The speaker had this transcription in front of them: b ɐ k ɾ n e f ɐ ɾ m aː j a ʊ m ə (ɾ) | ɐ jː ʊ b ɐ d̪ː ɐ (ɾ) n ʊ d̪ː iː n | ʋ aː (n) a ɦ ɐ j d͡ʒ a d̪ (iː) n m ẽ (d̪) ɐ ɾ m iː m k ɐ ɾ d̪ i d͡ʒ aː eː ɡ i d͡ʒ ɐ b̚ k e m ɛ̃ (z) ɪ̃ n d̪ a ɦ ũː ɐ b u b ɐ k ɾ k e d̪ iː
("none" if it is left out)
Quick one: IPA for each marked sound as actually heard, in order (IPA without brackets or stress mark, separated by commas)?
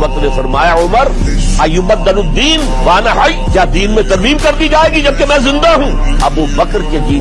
ɾ, none, n, iː, t̪, z